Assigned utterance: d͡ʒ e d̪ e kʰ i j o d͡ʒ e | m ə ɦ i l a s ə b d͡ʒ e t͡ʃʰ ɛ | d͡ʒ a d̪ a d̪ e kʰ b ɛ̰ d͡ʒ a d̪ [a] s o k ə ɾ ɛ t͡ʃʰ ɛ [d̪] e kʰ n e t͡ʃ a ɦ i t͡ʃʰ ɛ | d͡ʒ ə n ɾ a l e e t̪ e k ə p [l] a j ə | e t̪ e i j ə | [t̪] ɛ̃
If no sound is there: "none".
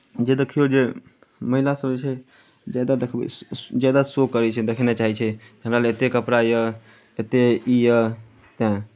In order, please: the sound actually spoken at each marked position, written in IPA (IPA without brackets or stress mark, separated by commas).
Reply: a, d̪, ɾ, t̪